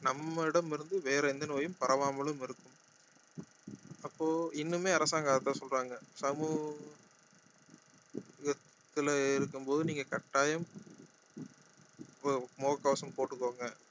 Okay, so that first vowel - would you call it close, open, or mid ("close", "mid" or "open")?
open